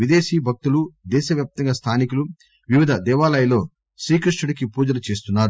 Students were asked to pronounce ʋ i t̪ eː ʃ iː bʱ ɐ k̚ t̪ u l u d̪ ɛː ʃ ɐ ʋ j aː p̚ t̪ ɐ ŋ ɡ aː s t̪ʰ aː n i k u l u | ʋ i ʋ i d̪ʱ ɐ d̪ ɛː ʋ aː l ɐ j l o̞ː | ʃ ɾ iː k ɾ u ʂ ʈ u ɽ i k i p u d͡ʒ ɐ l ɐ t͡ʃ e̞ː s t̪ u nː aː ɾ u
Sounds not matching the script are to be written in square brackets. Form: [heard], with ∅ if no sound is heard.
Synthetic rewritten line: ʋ i [d̪] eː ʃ iː bʱ ɐ k̚ t̪ u l u d̪ ɛː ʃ ɐ ʋ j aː p̚ t̪ ɐ ŋ ɡ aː s t̪ʰ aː n i k u l u | ʋ i ʋ i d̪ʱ ɐ d̪ ɛː ʋ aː l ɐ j l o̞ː | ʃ ɾ iː k ɾ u ʂ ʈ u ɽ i k i p [uː] d͡ʒ ɐ l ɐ t͡ʃ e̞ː s t̪ u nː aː ɾ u